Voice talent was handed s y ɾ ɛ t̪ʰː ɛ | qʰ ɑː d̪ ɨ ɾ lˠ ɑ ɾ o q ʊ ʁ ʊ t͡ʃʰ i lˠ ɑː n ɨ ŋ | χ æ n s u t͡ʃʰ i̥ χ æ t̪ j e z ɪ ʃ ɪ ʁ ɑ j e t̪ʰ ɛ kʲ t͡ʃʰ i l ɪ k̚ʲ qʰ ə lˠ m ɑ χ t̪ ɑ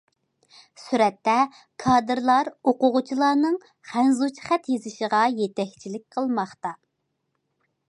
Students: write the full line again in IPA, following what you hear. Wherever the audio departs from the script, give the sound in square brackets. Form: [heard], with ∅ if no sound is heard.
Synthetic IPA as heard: s y ɾ ɛ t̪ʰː ɛ | [kʰ] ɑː d̪ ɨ ɾ lˠ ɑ ɾ o q ʊ ʁ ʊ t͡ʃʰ i lˠ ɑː n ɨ ŋ | χ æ n [z] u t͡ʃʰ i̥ χ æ t̪ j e z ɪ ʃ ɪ ʁ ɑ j e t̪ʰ ɛ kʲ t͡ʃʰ i l ɪ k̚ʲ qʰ ə lˠ m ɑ χ t̪ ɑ